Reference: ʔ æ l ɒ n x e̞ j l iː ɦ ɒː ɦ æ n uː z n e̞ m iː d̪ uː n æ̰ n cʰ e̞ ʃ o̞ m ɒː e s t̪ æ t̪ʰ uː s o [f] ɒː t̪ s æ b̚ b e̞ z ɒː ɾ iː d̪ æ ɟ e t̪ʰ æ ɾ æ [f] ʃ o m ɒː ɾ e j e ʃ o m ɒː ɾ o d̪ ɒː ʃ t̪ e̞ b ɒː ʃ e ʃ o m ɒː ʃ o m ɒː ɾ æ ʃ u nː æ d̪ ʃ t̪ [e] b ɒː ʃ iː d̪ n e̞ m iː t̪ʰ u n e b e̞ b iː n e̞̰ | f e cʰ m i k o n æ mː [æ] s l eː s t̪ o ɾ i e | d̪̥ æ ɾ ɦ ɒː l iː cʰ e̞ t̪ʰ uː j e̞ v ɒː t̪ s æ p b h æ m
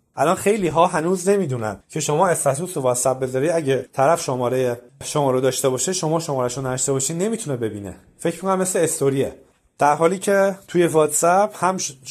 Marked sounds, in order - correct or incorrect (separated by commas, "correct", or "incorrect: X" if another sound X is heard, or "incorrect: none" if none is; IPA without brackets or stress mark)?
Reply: incorrect: v, correct, correct, incorrect: e